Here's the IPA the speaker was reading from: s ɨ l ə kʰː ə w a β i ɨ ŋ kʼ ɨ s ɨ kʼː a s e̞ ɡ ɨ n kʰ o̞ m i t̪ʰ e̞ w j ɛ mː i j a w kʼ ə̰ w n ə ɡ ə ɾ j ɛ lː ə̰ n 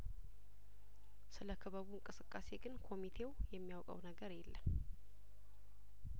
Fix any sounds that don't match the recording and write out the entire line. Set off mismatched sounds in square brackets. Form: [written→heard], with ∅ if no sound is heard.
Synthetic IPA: s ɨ l ə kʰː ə [w→β] a β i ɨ ŋ kʼ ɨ s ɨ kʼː a s e̞ ɡ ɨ n kʰ o̞ m i t̪ʰ e̞ w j ɛ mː i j a w kʼ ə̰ w n ə ɡ ə ɾ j ɛ lː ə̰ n